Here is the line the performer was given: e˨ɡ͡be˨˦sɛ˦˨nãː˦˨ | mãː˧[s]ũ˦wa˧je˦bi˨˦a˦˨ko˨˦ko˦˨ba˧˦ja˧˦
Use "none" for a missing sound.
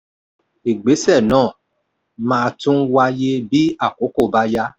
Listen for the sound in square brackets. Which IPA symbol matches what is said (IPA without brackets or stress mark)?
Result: t